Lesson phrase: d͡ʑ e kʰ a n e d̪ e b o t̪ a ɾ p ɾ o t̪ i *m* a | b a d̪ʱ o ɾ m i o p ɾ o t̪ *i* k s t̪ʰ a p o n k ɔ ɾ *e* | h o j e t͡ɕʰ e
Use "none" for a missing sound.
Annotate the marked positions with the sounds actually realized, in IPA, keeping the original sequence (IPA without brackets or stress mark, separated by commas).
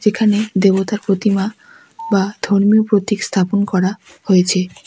m, i, a